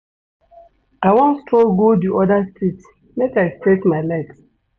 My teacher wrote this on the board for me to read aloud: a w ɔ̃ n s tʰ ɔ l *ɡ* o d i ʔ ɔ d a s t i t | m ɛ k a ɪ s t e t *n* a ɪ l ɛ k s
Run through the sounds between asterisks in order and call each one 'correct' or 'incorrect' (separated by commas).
correct, incorrect